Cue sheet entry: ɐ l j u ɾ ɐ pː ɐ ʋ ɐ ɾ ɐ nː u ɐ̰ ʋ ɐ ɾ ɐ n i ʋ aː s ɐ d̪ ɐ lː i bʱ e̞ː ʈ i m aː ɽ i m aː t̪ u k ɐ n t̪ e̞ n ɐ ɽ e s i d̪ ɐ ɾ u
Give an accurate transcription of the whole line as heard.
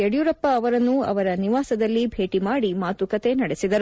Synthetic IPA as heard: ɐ ɽ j u ɾ ɐ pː ɐː ʋ ɐ ɾ ɐ nː u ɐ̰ ʋ ɐ ɾ ɐ n i ʋ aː s ɐ d̪ ɐ lː i bʱ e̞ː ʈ i m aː ɽ i m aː t̪ u k ɐ t̪ e̞ n ɐ ɽ e s i d̪ ɐ ɾ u